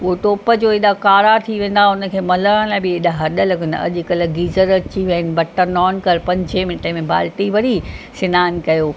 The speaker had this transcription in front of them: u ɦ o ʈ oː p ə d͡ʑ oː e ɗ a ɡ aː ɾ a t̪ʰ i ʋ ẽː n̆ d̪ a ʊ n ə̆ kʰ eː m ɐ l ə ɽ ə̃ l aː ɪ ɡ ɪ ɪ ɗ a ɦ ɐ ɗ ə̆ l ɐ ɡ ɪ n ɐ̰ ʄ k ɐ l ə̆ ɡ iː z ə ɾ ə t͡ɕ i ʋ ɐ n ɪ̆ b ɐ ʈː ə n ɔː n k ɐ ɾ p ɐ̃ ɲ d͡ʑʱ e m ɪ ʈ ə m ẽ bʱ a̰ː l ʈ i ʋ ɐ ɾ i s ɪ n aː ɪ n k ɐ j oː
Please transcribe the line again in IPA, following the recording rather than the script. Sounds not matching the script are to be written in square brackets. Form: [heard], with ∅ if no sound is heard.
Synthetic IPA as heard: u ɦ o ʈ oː p ə d͡ʑ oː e ɗ a [k] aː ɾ a t̪ʰ i ʋ ẽː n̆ d̪ a ʊ n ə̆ kʰ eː m ɐ l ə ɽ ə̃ l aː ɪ [b] ɪ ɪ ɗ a ɦ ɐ ɗ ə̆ l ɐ ɡ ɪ n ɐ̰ ʄ k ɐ l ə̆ ɡ iː z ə ɾ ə t͡ɕ i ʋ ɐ n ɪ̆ b ɐ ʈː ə n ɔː n k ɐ ɾ p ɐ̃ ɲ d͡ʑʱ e m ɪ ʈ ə m ẽ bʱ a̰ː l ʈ i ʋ ɐ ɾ i s ɪ n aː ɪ n k ɐ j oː

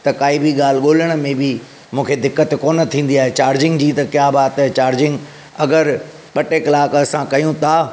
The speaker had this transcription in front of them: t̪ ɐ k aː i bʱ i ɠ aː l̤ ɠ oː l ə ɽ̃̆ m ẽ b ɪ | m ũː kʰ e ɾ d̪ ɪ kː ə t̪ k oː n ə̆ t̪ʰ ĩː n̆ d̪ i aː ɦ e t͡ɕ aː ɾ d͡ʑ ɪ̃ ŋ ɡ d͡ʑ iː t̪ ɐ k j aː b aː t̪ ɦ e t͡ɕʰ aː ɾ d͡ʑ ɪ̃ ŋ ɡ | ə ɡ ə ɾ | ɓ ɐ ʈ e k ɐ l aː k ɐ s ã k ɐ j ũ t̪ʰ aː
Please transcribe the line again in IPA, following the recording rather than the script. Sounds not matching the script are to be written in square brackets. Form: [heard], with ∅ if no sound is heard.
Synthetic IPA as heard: t̪ ɐ k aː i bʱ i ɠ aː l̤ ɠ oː l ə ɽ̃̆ m ẽ b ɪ | m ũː kʰ e [∅] d̪ ɪ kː ə t̪ k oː n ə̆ t̪ʰ ĩː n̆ d̪ i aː ɦ e t͡ɕ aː ɾ d͡ʑ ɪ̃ ŋ ɡ d͡ʑ iː t̪ ɐ k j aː b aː t̪ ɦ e [t͡ɕ] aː ɾ d͡ʑ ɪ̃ ŋ ɡ | [ɐ] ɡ ə ɾ | ɓ ɐ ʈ e k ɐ l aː k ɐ s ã k ɐ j ũ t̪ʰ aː

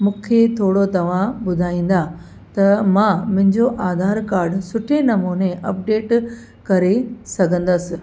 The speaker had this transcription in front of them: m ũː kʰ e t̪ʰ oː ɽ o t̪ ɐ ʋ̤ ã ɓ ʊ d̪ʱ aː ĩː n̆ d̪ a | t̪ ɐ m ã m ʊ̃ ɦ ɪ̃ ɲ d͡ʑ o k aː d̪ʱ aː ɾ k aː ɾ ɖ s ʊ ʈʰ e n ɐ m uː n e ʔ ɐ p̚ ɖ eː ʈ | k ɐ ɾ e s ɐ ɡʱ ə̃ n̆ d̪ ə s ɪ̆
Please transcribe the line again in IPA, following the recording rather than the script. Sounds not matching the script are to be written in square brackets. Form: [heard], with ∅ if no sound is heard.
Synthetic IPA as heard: m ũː kʰ e t̪ʰ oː ɽ o t̪ ɐ ʋ̤ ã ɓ ʊ d̪ʱ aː ĩː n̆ d̪ a | t̪ ɐ m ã m ʊ̃ ɦ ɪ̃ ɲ d͡ʑ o [ʔ] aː d̪ʱ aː ɾ k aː ɾ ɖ s ʊ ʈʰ e n ɐ m uː n e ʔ ɐ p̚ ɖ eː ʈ | k ɐ ɾ e s ɐ ɡʱ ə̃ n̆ d̪ ə s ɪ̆

